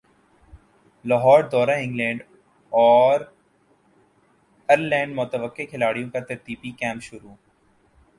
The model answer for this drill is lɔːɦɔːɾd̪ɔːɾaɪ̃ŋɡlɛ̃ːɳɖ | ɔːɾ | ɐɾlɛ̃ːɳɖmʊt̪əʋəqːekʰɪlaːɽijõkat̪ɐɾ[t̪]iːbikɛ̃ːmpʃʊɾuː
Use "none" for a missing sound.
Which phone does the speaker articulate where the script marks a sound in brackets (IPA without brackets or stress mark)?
t̪